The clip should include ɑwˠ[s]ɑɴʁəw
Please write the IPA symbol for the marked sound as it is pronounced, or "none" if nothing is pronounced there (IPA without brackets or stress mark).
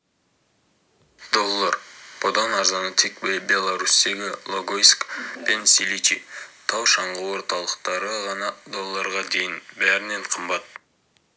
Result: ʃ